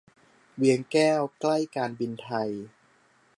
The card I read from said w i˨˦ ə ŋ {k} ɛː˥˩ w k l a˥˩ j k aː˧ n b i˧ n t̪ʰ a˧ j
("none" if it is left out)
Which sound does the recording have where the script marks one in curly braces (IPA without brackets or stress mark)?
k